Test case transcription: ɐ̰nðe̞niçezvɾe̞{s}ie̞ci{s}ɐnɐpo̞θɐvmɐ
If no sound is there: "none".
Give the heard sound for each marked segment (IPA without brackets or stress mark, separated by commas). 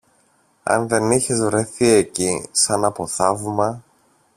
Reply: θ, s